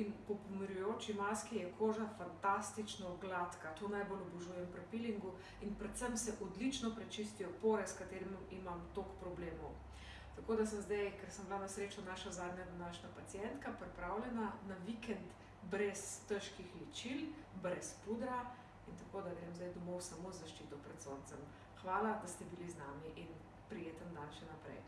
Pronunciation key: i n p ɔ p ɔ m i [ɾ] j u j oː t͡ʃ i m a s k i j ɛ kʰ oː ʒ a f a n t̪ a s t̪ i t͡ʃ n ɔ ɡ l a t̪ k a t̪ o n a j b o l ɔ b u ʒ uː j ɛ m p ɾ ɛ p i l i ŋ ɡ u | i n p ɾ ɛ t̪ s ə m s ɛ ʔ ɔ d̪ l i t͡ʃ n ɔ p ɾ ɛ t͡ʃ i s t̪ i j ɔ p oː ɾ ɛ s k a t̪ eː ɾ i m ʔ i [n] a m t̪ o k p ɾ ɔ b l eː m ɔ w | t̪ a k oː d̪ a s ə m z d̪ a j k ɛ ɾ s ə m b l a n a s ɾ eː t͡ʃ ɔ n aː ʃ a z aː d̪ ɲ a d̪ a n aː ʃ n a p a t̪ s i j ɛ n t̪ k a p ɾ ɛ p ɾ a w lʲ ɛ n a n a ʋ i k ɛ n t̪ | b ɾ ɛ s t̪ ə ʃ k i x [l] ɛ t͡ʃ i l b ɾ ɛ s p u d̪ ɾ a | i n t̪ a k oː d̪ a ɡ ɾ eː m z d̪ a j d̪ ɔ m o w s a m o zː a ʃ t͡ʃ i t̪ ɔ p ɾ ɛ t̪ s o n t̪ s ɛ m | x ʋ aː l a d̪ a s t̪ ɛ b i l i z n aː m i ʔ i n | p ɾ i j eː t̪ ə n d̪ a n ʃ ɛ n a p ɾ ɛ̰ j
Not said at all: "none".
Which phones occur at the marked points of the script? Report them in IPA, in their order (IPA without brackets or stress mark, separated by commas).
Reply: ɾ, m, l